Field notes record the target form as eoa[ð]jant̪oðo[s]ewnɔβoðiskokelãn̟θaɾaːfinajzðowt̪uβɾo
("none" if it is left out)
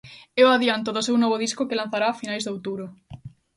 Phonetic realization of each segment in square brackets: ð, s

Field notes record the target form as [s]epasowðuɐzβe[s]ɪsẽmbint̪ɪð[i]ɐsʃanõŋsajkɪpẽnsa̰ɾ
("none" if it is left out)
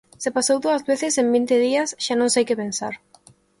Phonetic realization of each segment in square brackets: s, θ, i

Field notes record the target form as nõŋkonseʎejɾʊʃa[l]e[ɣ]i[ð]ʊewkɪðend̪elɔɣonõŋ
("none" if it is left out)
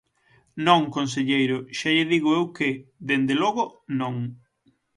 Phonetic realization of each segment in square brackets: ʎ, ð, ɣ

